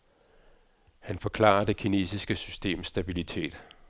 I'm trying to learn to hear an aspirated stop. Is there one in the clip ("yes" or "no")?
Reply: yes